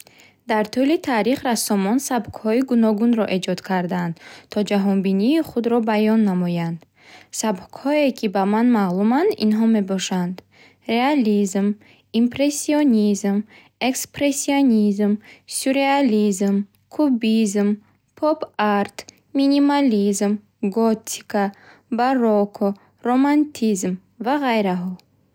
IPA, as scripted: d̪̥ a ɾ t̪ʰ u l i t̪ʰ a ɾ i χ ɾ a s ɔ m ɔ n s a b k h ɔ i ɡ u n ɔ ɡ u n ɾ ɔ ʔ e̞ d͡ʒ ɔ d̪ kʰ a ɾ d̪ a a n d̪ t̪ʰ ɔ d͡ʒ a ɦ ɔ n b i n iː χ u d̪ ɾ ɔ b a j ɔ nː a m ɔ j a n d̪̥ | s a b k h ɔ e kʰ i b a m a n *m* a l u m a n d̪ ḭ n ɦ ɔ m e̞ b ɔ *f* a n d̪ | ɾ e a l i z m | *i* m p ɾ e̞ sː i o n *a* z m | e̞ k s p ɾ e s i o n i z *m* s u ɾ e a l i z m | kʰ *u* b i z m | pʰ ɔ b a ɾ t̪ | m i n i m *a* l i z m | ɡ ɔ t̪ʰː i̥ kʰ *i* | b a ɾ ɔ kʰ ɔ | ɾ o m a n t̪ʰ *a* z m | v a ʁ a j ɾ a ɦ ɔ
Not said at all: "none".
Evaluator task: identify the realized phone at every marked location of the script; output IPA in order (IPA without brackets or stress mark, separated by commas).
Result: m, ʃ, i, i, m, u, a, a, i